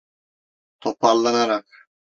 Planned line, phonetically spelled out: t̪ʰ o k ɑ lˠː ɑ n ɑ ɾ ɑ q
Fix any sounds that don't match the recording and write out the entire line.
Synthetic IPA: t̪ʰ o p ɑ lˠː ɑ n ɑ ɾ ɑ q